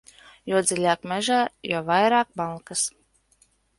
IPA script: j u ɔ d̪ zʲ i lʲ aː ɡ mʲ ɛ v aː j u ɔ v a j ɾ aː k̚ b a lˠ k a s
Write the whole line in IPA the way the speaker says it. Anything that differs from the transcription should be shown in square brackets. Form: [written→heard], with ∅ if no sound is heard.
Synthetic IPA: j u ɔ d̪ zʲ i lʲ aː [ɡ→k] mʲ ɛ [v→ʒ] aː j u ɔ v a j ɾ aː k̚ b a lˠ k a s